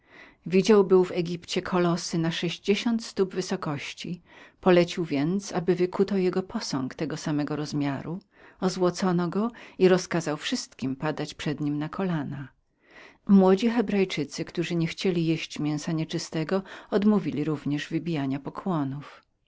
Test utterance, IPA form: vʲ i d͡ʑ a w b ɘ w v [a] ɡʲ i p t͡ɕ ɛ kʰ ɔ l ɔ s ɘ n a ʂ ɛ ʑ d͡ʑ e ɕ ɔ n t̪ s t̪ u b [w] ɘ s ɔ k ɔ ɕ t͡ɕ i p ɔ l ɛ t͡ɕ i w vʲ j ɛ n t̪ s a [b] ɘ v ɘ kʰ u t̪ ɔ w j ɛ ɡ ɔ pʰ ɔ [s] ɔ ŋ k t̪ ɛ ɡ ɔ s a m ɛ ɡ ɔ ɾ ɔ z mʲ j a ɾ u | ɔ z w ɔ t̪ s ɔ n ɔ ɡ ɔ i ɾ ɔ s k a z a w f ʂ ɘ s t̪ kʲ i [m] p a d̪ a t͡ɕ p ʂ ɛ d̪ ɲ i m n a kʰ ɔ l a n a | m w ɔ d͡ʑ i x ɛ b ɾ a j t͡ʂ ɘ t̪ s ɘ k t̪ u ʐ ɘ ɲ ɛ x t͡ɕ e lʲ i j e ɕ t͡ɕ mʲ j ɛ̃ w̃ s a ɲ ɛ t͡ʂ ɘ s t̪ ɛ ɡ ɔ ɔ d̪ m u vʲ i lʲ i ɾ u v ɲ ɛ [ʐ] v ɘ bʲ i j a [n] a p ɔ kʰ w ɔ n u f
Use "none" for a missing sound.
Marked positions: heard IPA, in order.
ɛ, v, b, s, m, ʐ, ɲ

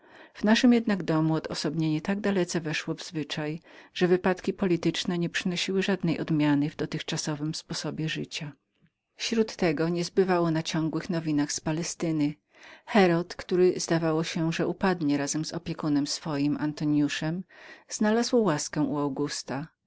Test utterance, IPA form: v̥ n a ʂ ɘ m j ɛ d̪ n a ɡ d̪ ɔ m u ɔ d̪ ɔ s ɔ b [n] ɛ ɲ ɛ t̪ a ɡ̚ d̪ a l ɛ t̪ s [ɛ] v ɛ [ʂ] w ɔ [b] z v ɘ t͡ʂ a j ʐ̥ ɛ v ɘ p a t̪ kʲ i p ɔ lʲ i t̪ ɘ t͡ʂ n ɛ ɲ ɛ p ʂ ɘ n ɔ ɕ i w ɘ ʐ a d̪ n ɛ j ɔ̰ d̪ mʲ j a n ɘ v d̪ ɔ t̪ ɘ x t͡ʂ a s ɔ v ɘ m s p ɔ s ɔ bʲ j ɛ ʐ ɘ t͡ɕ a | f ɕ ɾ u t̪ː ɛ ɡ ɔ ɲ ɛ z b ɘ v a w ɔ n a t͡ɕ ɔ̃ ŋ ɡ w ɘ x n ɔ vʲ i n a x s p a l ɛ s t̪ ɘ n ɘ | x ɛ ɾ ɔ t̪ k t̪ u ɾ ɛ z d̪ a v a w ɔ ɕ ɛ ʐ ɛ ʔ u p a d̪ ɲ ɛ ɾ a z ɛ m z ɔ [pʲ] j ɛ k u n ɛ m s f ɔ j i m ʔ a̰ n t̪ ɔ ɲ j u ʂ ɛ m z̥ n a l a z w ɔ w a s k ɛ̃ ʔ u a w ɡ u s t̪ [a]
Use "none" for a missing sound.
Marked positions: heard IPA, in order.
ɲ, ɛ, ʂ, v, pʲ, a

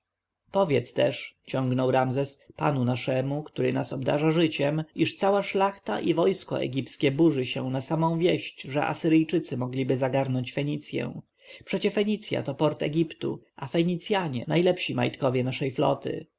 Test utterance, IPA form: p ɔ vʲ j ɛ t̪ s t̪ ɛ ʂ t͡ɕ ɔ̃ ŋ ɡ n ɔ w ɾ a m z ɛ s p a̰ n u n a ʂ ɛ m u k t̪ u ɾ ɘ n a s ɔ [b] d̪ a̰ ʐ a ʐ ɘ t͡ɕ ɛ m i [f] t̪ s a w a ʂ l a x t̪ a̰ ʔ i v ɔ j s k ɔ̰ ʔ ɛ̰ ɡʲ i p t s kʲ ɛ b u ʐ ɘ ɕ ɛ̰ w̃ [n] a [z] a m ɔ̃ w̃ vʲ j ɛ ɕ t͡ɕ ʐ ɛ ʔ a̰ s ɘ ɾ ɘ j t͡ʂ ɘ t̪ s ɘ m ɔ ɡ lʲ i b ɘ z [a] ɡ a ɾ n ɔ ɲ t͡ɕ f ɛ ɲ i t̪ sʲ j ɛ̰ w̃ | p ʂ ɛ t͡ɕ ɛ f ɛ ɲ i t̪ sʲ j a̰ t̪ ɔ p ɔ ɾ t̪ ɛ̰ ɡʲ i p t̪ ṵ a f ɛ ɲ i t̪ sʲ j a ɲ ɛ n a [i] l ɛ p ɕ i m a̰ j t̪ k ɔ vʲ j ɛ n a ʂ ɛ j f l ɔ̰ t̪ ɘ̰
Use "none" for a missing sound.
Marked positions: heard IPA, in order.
b, ʂ, n, s, a, j

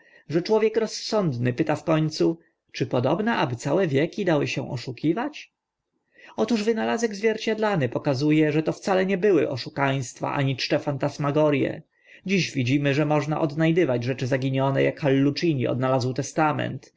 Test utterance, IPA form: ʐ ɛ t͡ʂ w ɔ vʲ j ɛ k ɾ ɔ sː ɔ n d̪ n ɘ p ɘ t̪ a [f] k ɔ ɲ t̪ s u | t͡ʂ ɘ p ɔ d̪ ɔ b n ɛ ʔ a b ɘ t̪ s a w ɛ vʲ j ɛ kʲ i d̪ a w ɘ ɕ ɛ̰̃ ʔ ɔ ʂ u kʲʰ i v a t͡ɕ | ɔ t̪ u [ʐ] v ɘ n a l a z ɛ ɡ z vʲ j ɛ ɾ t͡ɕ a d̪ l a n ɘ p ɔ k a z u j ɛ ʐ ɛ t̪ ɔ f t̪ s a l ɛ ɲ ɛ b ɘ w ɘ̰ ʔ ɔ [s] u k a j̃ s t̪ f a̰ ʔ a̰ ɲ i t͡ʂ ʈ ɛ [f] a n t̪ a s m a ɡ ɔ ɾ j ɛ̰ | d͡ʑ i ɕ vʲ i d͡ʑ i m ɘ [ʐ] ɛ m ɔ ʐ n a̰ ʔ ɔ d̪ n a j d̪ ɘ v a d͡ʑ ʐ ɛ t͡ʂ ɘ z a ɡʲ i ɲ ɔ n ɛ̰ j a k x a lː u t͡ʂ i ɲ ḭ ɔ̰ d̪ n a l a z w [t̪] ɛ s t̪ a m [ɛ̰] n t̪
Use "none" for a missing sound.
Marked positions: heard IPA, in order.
f, ʐ, ʂ, f, ʐ, t̪, ɛ̰

